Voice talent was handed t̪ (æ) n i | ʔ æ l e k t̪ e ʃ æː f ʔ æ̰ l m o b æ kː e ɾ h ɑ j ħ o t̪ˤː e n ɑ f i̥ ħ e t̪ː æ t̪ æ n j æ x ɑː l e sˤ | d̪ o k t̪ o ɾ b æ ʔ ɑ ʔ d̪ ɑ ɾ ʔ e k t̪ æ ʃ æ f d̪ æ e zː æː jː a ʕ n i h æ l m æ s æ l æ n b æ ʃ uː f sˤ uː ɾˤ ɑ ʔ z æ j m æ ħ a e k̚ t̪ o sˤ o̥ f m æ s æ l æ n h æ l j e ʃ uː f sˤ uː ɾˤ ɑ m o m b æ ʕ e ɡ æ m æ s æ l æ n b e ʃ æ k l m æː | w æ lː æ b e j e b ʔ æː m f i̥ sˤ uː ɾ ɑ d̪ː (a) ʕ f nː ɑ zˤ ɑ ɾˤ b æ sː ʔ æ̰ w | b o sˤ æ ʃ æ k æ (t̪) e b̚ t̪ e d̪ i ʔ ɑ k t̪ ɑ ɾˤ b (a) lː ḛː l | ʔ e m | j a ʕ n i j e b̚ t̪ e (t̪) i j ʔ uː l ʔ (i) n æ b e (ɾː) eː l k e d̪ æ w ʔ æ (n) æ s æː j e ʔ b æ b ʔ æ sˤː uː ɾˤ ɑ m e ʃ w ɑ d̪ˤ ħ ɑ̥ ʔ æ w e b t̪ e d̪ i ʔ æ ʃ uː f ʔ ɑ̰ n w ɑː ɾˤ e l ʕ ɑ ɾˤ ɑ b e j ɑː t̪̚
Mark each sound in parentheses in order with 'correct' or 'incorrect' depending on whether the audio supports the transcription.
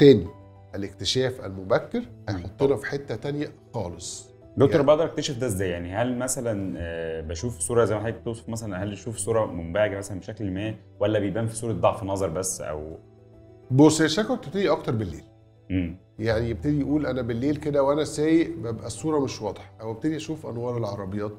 incorrect: æː, incorrect: ɑ, correct, incorrect: e, incorrect: d̪, incorrect: æ, incorrect: lː, correct

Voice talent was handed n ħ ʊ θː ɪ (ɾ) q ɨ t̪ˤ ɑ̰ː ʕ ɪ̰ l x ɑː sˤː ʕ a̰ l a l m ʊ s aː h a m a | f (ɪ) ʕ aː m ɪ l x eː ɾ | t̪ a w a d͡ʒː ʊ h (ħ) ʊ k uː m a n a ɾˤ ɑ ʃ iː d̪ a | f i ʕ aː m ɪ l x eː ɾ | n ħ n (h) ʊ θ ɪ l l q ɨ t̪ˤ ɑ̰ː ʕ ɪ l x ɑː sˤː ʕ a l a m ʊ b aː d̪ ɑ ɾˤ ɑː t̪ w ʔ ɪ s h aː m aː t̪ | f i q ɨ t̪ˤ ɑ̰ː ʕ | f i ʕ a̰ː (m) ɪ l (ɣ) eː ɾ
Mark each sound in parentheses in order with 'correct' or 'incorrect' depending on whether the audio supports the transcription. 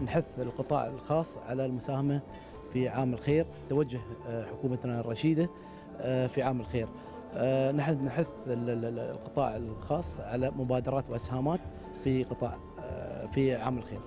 incorrect: l, incorrect: i, correct, incorrect: ħ, correct, incorrect: x

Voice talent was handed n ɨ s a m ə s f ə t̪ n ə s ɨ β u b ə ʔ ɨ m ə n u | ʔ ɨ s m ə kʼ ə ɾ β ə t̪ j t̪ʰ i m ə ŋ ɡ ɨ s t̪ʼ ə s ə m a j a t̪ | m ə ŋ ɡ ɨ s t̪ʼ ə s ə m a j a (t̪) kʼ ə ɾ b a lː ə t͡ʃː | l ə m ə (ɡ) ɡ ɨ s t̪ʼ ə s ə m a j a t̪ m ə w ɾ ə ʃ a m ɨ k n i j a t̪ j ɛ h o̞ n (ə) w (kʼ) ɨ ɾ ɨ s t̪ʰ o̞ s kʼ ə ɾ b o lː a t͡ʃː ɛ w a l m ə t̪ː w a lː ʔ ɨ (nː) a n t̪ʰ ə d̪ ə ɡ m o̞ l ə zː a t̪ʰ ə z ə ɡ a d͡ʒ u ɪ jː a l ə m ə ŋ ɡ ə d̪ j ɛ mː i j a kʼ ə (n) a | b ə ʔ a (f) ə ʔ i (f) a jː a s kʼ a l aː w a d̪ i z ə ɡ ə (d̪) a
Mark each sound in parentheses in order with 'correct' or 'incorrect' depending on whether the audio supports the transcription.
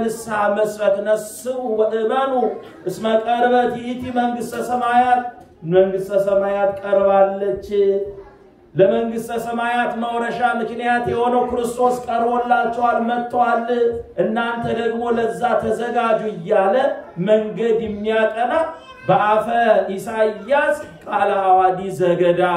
correct, incorrect: ŋ, correct, incorrect: k, correct, correct, correct, incorrect: s, correct

